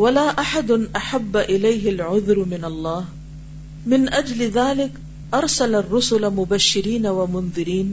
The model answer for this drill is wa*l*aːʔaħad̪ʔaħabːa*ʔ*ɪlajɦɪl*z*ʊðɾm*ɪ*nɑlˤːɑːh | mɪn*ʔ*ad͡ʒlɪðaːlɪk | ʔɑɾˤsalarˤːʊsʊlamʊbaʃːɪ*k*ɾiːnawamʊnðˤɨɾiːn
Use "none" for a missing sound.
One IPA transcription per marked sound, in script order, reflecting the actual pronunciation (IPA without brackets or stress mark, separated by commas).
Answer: l, ʔ, ʕ, ɪ, ʔ, none